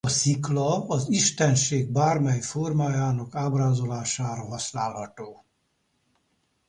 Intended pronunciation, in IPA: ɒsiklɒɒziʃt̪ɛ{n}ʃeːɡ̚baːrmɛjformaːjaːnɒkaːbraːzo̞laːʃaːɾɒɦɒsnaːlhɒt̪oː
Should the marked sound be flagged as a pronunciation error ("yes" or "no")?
no